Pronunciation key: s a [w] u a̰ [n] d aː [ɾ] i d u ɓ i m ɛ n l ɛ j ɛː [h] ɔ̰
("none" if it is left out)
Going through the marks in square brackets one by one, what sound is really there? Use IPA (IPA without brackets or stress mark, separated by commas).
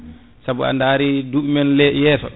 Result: b, n, ɾ, s